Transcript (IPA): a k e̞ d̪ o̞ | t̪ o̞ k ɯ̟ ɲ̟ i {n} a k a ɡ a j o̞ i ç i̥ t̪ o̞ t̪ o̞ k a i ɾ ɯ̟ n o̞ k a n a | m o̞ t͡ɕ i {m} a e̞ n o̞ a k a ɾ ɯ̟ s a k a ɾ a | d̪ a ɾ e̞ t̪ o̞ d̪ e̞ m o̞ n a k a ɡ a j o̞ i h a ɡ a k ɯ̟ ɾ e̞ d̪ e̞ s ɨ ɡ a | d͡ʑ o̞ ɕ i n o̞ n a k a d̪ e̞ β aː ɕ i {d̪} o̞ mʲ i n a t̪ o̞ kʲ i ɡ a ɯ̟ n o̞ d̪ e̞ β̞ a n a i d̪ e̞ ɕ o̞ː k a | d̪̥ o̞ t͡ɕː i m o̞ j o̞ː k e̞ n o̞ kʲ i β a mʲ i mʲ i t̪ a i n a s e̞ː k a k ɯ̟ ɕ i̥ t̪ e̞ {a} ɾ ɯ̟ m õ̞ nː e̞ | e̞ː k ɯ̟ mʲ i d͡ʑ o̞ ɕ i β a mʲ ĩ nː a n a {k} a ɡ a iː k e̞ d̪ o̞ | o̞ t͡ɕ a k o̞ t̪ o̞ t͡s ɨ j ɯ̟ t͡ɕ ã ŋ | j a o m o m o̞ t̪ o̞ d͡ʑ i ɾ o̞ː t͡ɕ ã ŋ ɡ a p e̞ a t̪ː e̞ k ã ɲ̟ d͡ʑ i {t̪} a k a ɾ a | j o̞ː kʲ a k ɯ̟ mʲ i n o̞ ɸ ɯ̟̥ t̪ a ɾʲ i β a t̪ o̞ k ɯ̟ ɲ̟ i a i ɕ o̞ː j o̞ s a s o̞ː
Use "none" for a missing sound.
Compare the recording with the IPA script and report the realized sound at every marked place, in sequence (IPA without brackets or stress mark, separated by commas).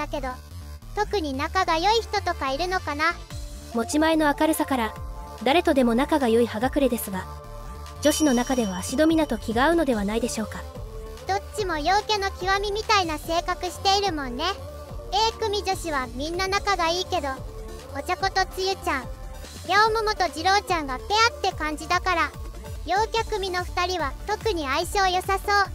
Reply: n, m, d̪, i, k, d̪